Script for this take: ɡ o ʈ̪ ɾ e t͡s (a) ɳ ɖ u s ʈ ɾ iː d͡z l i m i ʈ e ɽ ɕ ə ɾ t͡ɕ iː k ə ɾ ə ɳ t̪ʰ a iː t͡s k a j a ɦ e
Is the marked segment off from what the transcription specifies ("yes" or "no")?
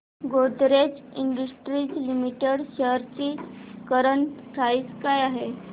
yes